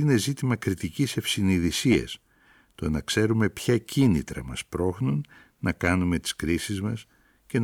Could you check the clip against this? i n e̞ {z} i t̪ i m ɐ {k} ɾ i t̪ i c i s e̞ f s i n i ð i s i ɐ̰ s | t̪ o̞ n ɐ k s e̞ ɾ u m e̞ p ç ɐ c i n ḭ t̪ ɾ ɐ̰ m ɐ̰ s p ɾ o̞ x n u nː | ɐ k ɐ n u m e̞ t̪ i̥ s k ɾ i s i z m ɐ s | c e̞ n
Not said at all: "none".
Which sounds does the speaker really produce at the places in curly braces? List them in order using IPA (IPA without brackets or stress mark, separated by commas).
z, k